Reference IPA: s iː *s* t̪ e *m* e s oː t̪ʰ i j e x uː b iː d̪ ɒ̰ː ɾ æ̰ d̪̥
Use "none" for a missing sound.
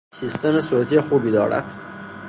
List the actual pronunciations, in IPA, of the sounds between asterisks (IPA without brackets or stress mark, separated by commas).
s, m